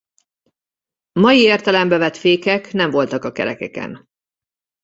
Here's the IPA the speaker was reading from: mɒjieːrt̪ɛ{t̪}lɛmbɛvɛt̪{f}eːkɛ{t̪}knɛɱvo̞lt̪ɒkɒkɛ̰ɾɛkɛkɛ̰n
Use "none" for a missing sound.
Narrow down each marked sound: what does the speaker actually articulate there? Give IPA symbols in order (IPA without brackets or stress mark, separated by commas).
none, f, none